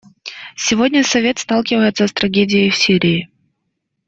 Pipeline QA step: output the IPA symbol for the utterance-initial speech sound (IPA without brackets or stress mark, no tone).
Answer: sʲ